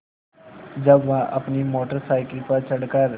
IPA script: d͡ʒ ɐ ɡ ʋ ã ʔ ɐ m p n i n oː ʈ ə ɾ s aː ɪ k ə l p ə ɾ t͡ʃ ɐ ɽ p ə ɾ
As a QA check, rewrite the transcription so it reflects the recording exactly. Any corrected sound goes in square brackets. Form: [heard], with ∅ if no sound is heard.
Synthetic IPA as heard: d͡ʒ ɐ [b] ʋ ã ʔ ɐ [∅] p n i [m] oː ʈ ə ɾ s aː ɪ k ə l p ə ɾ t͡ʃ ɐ ɽ [k] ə ɾ